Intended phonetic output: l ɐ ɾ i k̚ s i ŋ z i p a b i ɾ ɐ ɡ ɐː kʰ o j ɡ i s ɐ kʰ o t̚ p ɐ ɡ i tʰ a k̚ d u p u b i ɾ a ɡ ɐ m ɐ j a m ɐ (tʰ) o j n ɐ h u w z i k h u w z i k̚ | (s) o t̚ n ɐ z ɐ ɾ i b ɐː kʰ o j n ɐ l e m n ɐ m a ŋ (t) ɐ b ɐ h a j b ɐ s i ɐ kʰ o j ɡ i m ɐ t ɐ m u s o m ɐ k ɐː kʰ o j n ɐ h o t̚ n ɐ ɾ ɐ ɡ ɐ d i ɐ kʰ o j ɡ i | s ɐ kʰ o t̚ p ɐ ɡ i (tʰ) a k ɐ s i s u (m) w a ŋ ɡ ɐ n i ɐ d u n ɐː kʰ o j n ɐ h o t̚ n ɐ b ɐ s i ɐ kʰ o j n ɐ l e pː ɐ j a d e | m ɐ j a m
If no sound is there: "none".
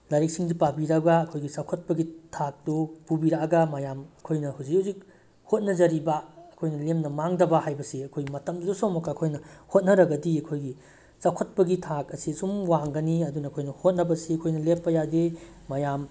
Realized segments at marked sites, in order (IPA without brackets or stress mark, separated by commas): kʰ, h, d, tʰ, m